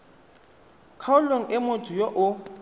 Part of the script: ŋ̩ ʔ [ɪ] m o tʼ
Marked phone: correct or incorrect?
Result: correct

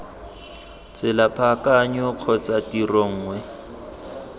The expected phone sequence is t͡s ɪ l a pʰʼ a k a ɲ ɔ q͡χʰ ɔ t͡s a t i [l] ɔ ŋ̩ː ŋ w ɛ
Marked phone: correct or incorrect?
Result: incorrect: r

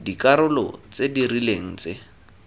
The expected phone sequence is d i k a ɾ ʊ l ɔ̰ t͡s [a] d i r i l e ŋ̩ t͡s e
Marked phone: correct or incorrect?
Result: incorrect: e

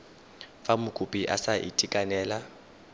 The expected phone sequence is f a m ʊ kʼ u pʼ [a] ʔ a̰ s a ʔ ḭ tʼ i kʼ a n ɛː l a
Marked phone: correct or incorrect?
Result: incorrect: i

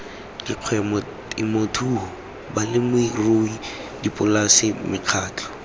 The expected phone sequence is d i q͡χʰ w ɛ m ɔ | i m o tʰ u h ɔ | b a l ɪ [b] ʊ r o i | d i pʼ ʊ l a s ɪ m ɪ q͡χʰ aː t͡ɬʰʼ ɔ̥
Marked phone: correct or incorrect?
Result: incorrect: m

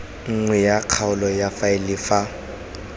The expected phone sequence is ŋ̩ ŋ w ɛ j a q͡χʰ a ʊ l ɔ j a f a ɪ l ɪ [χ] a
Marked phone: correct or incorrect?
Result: incorrect: f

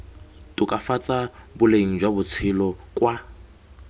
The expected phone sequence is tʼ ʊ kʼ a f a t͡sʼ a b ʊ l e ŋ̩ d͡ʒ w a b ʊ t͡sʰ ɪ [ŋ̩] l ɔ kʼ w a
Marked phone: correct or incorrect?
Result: incorrect: none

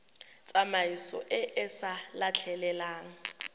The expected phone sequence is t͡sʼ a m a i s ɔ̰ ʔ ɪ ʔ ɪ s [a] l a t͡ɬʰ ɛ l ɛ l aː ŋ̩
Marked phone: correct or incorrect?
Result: correct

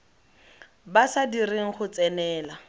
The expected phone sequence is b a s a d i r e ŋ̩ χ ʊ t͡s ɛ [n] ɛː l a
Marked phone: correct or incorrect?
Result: correct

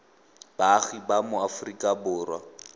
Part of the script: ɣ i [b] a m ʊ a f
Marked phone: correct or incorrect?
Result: correct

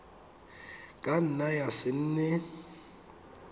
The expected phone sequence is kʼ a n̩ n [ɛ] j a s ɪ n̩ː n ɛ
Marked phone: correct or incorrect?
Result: incorrect: a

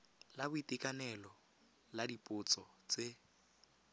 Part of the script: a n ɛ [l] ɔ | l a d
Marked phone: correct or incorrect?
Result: correct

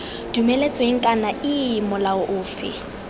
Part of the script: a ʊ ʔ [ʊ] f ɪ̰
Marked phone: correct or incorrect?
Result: incorrect: ʊː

